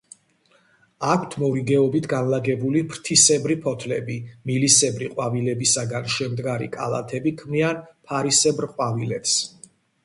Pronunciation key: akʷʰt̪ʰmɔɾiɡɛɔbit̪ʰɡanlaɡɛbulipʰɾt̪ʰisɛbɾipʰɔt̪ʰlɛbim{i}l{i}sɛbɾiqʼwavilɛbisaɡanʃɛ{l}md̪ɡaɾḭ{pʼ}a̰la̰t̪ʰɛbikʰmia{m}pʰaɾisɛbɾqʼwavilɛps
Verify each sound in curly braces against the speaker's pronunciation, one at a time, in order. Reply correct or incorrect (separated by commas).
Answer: correct, correct, incorrect, incorrect, incorrect